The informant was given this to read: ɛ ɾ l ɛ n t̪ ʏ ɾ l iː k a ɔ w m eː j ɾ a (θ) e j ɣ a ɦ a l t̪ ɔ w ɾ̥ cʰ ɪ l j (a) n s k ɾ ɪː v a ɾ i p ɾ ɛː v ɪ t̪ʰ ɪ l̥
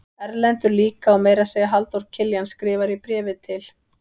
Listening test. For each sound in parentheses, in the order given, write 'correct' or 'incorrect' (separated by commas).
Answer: incorrect, correct